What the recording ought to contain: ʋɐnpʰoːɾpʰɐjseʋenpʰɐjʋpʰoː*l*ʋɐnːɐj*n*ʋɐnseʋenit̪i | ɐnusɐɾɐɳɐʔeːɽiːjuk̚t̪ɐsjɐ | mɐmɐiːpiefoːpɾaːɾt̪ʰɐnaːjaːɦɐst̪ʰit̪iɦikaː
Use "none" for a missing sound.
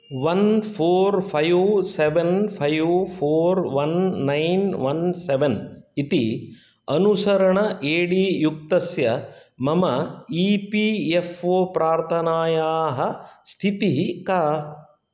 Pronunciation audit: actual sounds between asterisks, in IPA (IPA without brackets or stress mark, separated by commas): ɾ, n